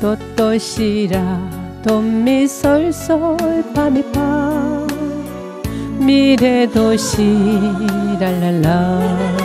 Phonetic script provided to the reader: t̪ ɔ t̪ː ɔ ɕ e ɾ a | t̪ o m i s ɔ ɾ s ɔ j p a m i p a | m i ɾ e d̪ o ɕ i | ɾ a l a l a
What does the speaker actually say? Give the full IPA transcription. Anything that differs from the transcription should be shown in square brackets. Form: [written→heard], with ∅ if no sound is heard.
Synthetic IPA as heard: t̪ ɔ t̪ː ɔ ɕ [e→i] ɾ a | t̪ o m i s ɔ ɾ s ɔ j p a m i p a | m i ɾ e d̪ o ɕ i | ɾ a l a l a